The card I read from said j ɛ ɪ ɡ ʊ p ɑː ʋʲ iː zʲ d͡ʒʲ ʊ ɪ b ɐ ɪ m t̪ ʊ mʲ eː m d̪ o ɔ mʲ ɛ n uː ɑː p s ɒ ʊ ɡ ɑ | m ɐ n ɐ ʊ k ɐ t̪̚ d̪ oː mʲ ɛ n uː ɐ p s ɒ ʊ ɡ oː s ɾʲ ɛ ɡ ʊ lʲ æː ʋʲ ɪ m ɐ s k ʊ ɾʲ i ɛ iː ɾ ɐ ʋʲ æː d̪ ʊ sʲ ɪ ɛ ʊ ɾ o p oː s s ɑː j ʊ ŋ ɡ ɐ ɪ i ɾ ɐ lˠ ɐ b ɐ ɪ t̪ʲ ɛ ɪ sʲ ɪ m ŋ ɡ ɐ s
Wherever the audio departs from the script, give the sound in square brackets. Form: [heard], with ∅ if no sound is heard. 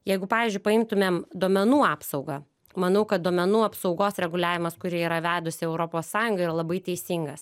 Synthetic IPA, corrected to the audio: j ɛ ɪ ɡ ʊ p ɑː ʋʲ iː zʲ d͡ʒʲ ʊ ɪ [p] ɐ ɪ m t̪ ʊ mʲ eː m d̪ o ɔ mʲ ɛ n uː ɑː p s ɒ ʊ ɡ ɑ | m ɐ n ɐ ʊ k ɐ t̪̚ d̪ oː mʲ ɛ n uː ɐ p s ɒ ʊ ɡ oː s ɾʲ ɛ ɡ ʊ lʲ æː ʋʲ ɪ m ɐ s k ʊ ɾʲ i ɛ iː ɾ ɐ ʋʲ æː d̪ ʊ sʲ ɪ ɛ ʊ ɾ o p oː s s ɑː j ʊ ŋ ɡ ɐ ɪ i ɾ ɐ lˠ ɐ b ɐ ɪ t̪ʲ ɛ ɪ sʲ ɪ [∅] ŋ ɡ ɐ s